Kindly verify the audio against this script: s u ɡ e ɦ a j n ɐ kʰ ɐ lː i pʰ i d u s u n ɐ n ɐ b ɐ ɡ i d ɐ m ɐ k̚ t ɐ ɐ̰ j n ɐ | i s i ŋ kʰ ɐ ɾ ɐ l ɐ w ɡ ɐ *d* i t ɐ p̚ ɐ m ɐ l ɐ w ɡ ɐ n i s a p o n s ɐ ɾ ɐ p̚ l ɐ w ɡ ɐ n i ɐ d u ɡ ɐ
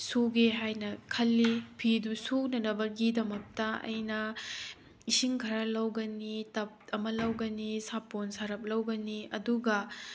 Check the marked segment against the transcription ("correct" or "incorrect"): incorrect